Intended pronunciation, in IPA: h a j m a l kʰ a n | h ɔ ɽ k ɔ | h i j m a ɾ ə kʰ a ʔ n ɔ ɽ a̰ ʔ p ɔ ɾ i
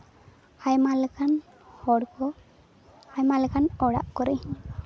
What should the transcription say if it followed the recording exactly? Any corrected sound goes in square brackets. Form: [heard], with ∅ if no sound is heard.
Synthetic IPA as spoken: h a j m a l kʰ a n | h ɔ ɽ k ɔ | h [a] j m a [l] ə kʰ a [∅] n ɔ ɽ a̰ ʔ [k] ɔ ɾ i

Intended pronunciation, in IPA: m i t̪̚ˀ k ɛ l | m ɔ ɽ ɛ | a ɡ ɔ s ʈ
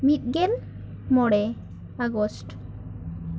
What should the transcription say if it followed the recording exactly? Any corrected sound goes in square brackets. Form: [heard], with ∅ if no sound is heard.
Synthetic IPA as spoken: m i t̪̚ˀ [ɡ] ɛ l | m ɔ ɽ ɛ | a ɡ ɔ s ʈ

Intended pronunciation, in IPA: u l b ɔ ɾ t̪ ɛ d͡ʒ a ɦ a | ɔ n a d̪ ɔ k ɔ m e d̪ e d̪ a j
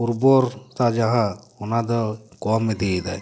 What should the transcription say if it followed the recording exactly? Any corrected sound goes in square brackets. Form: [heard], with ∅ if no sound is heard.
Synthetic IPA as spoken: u [ɾ] b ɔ ɾ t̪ [a] d͡ʒ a ɦ a | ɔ n a d̪ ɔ k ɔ m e d̪ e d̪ a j

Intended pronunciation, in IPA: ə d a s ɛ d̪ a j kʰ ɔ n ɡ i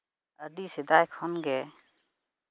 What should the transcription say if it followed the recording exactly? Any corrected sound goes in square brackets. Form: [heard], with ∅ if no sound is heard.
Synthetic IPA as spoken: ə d [i] s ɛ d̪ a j kʰ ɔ n ɡ [ɛ]

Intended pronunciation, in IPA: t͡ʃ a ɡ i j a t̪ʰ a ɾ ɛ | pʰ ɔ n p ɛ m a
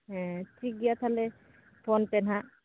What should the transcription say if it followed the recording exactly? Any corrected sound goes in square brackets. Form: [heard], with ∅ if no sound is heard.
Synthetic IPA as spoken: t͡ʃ [i] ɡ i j a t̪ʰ a [l] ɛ | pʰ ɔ n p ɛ [n] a

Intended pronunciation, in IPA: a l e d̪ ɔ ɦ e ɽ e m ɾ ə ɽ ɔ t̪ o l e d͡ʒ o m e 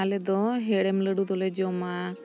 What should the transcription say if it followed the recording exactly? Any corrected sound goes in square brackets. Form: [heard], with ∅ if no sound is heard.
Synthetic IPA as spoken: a l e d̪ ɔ ɦ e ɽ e m [l] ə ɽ [u] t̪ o l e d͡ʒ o m [a]

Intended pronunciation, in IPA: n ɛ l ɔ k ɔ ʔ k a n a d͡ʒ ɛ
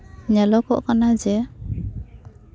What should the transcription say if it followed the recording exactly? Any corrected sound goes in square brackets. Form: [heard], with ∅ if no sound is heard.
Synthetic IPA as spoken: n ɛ l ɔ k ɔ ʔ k a n a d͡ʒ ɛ

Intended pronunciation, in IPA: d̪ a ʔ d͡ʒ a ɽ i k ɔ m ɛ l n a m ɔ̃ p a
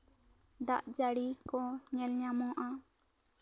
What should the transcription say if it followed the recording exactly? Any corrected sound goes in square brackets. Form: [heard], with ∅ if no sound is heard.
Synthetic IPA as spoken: d̪ a ʔ d͡ʒ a ɽ i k ɔ [ɲ] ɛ l [ɲ] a m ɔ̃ [ʔ] a

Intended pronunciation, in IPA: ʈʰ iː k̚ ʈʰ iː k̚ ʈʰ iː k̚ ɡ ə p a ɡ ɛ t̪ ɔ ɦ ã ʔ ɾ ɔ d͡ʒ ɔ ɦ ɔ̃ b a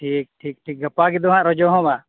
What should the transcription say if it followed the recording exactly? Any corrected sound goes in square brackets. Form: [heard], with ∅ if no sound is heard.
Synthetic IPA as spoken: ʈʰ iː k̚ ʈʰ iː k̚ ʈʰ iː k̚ ɡ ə p a ɡ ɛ [d̪] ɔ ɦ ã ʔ ɾ ɔ d͡ʒ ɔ ɦ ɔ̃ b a

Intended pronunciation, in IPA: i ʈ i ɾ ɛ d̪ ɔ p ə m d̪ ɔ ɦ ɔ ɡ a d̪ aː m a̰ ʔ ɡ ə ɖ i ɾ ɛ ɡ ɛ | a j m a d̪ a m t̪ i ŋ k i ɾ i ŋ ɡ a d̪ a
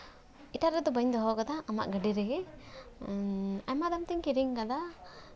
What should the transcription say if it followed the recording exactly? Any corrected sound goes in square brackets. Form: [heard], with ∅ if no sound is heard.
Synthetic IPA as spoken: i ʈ [a] ɾ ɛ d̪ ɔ [b] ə [ɲ] d̪ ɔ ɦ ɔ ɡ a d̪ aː m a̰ ʔ ɡ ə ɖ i ɾ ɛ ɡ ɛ | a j m a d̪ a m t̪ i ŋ k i ɾ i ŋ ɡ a d̪ a

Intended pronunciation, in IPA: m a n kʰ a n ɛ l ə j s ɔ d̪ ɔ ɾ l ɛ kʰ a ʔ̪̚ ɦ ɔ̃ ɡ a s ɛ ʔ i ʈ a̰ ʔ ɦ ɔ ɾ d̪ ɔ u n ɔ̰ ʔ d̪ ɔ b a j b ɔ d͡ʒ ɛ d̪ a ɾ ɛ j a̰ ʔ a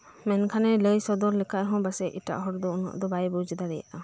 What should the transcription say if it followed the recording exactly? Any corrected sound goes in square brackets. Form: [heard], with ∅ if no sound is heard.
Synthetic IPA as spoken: m [ɛ] n kʰ a n ɛ l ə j s ɔ d̪ ɔ ɾ l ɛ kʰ a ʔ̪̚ ɦ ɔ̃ [b] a s ɛ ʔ i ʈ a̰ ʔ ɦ ɔ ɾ d̪ ɔ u n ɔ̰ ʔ d̪ ɔ b a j b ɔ d͡ʒ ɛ d̪ a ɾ ɛ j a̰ ʔ a

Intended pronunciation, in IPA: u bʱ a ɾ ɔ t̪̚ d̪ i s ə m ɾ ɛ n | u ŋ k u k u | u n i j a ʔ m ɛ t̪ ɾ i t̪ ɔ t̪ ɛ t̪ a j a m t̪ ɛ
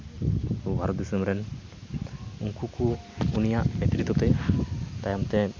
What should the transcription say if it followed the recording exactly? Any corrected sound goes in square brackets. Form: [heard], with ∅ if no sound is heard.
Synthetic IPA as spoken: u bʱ a ɾ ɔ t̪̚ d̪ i s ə m ɾ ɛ n | u ŋ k u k u | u n i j a ʔ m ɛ t̪ ɾ i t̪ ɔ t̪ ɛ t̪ a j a m t̪ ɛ

